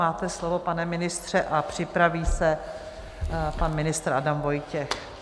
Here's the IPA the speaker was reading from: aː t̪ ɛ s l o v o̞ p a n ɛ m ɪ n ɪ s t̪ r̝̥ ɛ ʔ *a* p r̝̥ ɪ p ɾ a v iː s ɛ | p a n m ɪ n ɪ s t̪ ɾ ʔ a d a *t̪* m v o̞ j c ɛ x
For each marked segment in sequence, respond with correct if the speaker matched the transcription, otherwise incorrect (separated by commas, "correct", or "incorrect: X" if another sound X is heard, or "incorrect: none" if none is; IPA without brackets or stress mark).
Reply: correct, incorrect: none